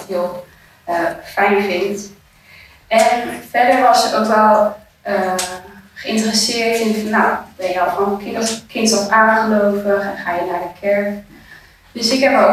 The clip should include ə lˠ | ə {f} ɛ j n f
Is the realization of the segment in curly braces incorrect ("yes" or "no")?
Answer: no